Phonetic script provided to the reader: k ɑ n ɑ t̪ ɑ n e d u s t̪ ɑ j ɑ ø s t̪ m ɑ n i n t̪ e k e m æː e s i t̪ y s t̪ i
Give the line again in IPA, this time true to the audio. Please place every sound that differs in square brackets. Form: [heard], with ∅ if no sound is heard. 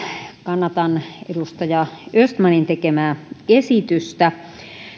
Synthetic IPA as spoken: k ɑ [nː] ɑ t̪ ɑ n e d u s t̪ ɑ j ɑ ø s t̪ m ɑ n i n t̪ e k e m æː e s i t̪ y s t̪ [æ]